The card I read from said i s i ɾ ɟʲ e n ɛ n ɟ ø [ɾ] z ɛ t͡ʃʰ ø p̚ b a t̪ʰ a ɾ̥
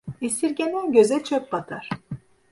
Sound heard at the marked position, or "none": none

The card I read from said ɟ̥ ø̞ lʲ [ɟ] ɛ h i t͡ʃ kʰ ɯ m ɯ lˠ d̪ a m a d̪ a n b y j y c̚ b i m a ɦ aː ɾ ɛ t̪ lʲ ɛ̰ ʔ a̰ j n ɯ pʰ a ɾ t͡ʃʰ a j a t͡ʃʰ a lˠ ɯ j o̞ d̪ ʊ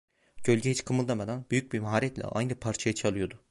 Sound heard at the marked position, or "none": ɟ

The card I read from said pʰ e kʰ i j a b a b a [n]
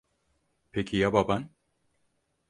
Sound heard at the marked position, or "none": n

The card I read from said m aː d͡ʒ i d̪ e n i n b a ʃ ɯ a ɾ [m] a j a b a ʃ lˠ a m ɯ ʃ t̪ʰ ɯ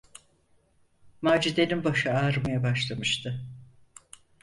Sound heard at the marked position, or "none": m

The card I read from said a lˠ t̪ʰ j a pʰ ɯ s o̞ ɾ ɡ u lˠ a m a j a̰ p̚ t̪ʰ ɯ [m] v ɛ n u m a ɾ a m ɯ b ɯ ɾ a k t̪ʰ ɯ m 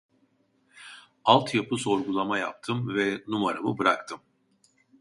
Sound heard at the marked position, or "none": m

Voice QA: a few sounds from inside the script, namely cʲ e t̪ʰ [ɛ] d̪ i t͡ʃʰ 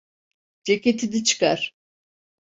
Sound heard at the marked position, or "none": i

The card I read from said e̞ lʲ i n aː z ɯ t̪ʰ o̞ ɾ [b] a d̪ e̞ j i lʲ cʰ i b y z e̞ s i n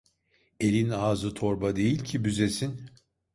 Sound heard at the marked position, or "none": b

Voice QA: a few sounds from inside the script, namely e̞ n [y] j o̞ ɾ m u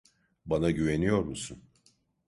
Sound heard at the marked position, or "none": i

